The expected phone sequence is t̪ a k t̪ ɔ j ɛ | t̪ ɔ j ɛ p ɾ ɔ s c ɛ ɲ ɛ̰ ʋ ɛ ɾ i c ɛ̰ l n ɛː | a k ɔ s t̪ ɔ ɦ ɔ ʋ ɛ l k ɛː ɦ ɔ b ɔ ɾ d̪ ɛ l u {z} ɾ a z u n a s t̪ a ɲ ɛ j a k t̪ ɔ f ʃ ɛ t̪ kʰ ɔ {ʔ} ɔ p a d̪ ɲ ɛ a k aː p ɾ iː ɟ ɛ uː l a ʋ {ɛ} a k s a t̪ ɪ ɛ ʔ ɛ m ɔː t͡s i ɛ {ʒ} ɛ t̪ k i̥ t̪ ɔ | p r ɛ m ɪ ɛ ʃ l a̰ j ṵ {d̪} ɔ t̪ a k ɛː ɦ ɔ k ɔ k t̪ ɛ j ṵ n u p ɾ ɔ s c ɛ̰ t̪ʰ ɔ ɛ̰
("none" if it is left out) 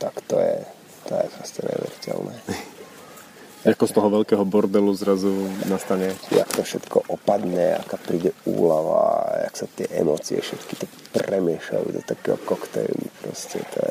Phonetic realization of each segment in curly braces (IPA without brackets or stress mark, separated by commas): z, ʔ, a, ʃ, d̪